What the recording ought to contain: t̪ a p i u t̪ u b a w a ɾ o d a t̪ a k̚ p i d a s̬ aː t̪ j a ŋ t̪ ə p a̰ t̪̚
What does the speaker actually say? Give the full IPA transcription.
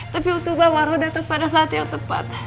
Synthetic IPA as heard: t̪ a p i u t̪ u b a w a ɾ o d a t̪ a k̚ p a d a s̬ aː t̪ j a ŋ t̪ ə p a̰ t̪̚